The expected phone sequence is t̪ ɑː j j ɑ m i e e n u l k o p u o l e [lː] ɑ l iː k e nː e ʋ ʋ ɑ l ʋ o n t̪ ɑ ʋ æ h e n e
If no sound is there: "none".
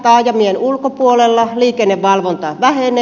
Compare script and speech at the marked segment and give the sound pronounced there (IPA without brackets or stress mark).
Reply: lː